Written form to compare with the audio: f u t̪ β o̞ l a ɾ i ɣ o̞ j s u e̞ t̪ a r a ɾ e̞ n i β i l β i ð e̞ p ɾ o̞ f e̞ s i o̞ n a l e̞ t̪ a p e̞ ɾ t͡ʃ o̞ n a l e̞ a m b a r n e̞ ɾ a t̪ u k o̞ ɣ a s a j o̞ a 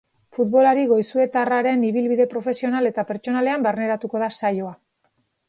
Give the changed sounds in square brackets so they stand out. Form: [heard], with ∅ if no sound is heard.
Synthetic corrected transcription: f u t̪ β o̞ l a ɾ i ɣ o̞ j s u e̞ t̪ a r a ɾ e̞ n i β i l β i ð e̞ p ɾ o̞ f e̞ s i o̞ n a l e̞ t̪ a p e̞ ɾ t͡ʃ o̞ n a l e̞ a m b a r n e̞ ɾ a t̪ u k o̞ [ð] a s a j o̞ a